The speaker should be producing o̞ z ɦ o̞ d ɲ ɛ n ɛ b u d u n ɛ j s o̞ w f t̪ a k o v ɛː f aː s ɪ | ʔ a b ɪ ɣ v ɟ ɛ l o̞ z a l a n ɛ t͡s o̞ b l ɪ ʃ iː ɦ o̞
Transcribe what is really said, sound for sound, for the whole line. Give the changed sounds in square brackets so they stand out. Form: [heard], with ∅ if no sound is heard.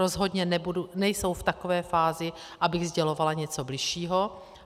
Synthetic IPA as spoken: o̞ z ɦ o̞ d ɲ ɛ n ɛ b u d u n ɛ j s o̞ w f t̪ a k o v ɛː f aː [z] ɪ | ʔ a b ɪ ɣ [z] ɟ ɛ l o̞ [v] a l a [ɲ] ɛ t͡s o̞ b l ɪ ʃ iː ɦ o̞